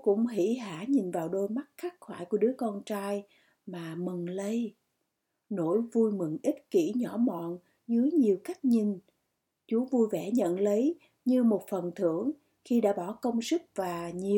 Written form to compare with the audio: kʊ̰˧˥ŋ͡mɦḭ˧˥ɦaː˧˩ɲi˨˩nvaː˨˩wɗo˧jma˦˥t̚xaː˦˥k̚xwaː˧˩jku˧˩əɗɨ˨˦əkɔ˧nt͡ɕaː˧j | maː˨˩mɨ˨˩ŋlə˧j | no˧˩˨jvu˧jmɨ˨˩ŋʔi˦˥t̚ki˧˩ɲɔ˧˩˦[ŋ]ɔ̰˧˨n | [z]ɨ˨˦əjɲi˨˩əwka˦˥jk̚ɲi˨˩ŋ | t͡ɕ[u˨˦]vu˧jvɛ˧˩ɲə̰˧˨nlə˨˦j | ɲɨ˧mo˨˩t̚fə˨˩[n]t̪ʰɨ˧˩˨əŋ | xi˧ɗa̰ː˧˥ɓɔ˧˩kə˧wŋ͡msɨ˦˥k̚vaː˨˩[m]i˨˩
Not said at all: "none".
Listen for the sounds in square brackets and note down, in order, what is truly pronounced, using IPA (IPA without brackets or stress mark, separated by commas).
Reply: m, z, u˨˦, n, ɲ